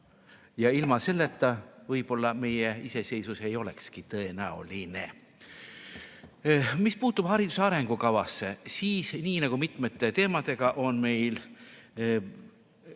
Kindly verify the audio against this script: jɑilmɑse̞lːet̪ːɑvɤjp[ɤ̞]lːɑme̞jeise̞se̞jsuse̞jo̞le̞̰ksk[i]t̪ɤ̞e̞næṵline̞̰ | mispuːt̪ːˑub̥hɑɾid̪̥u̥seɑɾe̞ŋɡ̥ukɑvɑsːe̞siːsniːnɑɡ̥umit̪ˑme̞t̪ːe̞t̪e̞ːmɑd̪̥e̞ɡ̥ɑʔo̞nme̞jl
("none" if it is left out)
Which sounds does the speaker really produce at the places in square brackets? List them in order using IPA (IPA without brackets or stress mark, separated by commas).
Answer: o̞, i